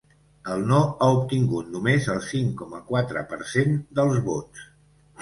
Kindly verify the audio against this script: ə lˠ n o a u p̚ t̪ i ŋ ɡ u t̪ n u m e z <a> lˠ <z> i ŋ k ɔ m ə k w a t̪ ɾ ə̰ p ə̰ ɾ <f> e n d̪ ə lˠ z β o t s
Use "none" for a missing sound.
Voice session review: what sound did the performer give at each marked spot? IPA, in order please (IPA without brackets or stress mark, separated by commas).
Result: ə, s, s